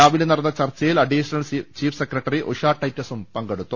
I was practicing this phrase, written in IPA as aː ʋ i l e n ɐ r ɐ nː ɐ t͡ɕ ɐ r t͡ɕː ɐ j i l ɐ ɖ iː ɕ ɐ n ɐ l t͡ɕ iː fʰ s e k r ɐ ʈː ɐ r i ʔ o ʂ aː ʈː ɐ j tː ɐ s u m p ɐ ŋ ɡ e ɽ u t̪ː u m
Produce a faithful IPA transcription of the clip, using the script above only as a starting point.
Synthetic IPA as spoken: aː ʋ i l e n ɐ r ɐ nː ɐ t͡ɕ ɐ r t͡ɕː ɐ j i l ɐ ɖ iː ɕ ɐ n ɐ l t͡ɕ iː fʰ s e k r ɐ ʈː ɐ r i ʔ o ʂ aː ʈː ɐ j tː ɐ s u m p ɐ ŋ ɡ e ɽ u t̪ː u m